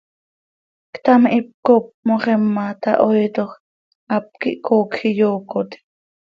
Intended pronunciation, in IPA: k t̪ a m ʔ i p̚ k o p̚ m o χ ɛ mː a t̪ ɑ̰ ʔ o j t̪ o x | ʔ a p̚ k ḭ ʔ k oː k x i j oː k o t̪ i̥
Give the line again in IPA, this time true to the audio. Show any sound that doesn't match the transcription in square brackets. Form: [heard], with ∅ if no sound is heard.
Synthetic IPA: k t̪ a m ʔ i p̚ k o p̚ m o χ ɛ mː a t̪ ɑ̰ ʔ o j t̪ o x | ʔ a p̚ k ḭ ʔ k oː k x i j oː k o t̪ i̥